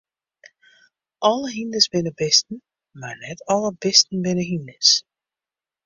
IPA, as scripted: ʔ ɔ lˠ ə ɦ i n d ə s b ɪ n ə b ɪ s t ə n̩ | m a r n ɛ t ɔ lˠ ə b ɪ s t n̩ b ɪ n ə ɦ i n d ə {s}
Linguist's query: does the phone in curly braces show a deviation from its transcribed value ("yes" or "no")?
no